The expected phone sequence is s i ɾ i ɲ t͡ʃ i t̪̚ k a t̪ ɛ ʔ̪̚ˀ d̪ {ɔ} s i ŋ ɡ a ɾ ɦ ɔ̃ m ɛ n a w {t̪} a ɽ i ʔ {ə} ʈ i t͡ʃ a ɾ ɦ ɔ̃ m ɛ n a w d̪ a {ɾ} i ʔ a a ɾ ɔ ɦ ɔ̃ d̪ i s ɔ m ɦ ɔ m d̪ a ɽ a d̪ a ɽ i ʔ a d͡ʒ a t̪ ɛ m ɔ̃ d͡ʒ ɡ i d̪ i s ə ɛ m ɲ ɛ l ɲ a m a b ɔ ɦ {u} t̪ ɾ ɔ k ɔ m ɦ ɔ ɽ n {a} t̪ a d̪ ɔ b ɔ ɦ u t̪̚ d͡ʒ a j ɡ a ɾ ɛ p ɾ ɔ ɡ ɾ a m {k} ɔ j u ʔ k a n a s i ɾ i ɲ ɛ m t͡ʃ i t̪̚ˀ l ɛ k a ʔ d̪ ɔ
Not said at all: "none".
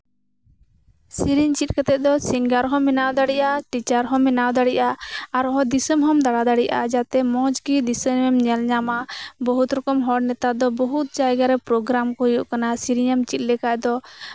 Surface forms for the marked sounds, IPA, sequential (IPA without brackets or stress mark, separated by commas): ɔ, d̪, a, ɽ, u, ɛ, k